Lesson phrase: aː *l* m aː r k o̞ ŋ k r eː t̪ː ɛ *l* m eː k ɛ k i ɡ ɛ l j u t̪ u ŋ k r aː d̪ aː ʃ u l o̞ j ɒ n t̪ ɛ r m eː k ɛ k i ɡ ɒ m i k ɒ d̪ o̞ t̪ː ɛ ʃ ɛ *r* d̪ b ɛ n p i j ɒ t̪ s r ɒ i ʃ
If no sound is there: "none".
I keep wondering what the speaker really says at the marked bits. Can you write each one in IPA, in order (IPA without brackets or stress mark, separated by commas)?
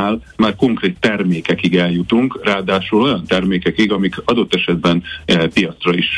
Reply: l, r, none